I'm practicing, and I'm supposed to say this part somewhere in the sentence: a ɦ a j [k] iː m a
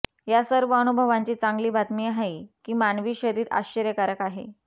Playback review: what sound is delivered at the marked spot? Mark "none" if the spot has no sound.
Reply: k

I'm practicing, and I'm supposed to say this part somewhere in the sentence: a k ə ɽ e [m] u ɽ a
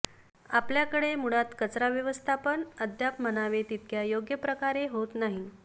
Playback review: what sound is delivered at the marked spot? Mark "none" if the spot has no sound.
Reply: m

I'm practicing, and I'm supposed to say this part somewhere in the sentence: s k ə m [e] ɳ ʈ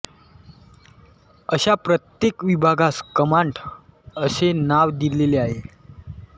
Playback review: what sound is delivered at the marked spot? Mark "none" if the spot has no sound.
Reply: a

